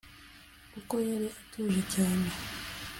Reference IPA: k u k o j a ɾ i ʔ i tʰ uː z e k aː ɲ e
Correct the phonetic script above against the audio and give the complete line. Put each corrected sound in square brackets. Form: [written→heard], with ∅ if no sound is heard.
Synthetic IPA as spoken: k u k o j a ɾ i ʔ [i→a] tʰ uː [z→ʒ] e [k→c] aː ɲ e